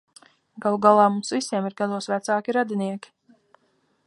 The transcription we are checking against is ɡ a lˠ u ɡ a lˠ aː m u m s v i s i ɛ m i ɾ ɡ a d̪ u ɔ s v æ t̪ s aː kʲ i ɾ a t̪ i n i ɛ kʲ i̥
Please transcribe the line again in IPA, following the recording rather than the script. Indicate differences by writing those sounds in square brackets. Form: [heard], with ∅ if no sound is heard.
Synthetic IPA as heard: ɡ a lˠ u ɡ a lˠ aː m u m s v i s i ɛ m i ɾ ɡ a d̪ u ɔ s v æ t̪ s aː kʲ i ɾ a [d̪] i n i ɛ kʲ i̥